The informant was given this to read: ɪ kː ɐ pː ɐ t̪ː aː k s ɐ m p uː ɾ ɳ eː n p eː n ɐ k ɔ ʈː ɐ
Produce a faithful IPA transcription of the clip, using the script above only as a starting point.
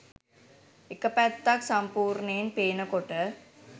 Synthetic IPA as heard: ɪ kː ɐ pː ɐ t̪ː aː k s ɐ m p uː ɾ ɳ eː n p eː n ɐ k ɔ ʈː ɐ